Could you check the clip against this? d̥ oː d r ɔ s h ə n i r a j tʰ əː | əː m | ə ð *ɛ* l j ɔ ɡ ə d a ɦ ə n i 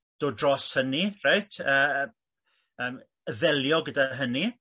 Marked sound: correct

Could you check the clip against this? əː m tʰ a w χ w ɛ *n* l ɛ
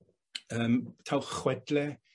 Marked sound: incorrect: d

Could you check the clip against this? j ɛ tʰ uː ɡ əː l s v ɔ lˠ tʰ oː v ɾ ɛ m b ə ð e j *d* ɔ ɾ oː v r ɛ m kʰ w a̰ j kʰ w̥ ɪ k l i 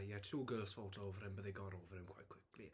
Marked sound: incorrect: ɡ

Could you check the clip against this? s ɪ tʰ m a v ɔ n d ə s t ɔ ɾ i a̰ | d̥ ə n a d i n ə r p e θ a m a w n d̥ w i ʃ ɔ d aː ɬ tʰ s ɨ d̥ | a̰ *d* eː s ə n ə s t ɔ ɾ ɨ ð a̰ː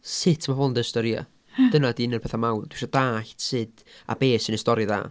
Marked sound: incorrect: b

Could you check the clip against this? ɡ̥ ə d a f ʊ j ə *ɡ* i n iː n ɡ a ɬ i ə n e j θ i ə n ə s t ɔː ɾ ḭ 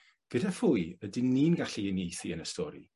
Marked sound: incorrect: d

